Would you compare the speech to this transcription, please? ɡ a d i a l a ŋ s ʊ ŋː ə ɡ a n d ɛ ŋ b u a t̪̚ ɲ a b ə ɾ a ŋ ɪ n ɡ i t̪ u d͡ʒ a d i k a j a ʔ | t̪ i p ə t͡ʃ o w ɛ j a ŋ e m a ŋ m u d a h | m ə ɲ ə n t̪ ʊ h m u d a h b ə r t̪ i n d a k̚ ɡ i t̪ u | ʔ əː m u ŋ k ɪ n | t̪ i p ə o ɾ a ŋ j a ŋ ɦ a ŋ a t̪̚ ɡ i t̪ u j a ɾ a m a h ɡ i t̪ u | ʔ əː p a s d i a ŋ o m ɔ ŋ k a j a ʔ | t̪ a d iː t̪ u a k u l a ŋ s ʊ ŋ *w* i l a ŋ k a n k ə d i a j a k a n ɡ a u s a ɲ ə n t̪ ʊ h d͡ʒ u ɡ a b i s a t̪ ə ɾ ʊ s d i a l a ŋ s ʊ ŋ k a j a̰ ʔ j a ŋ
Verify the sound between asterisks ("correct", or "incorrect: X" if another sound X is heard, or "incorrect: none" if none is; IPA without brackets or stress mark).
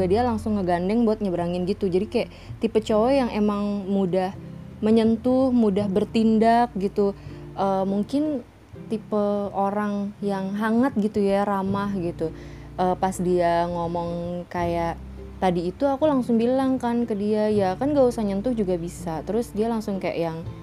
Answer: incorrect: b